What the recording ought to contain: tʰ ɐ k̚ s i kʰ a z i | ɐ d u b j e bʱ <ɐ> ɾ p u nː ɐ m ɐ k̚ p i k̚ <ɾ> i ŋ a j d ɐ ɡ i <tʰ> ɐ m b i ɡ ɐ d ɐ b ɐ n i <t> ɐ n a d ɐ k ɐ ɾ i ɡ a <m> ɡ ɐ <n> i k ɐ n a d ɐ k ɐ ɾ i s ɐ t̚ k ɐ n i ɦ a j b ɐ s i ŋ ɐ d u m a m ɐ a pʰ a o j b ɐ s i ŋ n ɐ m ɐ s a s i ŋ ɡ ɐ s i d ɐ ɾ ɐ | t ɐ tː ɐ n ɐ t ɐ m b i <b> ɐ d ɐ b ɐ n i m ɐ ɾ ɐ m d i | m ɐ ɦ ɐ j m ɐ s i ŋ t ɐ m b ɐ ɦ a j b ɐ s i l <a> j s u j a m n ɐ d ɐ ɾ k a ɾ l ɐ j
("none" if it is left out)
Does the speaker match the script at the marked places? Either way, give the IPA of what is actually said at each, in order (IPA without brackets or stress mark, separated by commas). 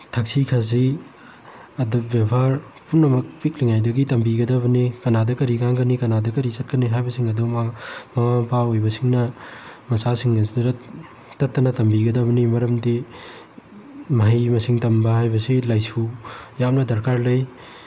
a, l, t, k, ŋ, n, ɡ, a